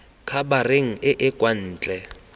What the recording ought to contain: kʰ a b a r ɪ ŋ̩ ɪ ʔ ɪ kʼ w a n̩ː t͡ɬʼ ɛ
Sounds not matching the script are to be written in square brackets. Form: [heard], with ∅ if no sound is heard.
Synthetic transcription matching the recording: kʰ a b a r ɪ ŋ̩ ɪ ʔ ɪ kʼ w a n̩ː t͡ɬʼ ɛ

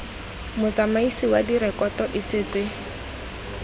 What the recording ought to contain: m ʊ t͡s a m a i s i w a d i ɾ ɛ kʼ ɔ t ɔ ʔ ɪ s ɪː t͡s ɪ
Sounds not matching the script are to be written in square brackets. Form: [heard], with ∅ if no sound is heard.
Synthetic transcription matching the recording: m ʊ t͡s a m a i s i w a d i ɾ ɛ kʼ ɔ t ɔ ʔ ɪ s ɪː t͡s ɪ

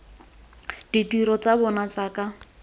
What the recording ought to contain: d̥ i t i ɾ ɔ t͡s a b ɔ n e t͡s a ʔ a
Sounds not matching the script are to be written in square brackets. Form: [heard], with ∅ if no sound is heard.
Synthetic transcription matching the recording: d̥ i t i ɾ ɔ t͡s a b ɔ n [a] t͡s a [k] a

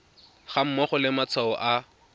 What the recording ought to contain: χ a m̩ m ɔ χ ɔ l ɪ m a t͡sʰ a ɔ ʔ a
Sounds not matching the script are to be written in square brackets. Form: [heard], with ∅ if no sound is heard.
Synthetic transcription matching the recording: χ a m̩ m ɔ χ ɔ l ɪ m a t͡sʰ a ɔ ʔ a

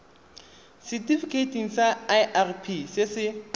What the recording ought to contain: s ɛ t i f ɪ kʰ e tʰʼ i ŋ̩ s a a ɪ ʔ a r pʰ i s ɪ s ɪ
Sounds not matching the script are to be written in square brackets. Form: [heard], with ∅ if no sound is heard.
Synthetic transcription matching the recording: s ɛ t i f [i] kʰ e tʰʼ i ŋ̩ s a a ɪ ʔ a r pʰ i s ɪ s ɪ

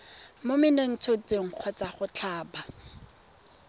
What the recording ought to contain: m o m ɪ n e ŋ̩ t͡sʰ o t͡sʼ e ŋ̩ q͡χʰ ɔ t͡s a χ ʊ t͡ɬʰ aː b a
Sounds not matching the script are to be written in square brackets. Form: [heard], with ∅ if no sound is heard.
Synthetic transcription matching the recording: m o m ɪ n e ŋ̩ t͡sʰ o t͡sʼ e ŋ̩ q͡χʰ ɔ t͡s a χ ʊ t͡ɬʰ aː b a

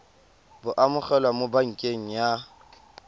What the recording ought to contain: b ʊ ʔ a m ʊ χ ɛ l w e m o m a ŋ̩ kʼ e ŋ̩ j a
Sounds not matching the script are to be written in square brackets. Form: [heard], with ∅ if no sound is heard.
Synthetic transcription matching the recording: b ʊ ʔ a m ʊ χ ɛ l w [a] m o [b] a ŋ̩ kʼ e ŋ̩ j a

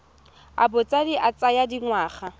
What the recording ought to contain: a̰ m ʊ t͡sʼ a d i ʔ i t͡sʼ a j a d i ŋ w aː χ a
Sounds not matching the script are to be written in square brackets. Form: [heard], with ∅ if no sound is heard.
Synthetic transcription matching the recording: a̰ [b] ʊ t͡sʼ a d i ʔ [a] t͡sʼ a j a d i ŋ w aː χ a

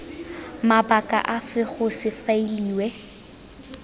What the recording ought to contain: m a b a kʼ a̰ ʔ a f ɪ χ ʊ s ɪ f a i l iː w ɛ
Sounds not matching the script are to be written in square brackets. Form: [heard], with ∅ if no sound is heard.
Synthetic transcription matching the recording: m a b a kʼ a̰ ʔ a f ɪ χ ʊ s ɪ f a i l iː w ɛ

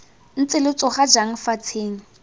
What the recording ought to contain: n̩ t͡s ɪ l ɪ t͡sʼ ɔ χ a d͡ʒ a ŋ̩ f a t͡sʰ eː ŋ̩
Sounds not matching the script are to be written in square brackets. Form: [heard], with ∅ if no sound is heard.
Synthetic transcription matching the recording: n̩ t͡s ɪ l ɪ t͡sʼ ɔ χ a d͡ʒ a ŋ̩ f a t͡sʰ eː ŋ̩

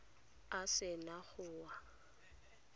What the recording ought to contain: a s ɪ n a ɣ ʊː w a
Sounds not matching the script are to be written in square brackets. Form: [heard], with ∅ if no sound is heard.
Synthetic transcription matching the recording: a s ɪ n a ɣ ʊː w a

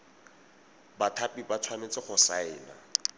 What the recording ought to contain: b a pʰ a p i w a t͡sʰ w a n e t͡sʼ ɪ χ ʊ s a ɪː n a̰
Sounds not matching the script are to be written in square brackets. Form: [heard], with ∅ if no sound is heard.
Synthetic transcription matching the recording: b a [tʰ] a p i [b] a t͡sʰ w a n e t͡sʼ ɪ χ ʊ s a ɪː n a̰

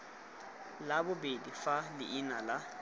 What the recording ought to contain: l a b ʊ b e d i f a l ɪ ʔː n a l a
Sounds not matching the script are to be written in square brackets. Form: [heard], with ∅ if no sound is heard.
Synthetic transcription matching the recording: l a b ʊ b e d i f a l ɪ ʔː n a l a

